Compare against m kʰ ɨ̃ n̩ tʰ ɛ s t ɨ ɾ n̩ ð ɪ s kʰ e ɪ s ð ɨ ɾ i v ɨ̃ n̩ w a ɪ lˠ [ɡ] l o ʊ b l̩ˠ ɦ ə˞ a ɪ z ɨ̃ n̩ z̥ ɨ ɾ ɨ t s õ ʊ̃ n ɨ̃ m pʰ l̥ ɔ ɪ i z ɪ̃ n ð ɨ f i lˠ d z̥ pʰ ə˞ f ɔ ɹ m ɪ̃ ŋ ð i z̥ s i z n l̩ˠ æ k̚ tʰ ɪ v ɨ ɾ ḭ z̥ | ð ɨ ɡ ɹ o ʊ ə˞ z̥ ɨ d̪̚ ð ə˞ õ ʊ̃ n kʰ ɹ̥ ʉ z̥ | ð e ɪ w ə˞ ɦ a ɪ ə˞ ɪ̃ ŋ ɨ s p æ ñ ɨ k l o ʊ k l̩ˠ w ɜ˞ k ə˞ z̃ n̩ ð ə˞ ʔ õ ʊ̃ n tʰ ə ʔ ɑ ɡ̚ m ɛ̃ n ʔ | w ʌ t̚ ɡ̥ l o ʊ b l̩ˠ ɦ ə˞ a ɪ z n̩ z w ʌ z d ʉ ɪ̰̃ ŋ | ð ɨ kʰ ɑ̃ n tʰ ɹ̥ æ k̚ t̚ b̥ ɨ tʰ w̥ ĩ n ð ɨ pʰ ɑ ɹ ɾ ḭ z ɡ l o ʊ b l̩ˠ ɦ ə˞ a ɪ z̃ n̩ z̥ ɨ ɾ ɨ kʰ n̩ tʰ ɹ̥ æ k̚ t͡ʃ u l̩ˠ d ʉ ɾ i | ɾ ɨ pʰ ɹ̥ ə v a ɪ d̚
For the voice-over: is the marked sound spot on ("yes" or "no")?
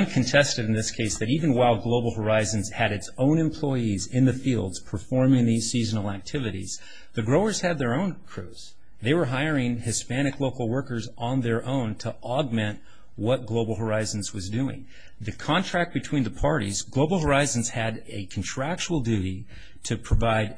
yes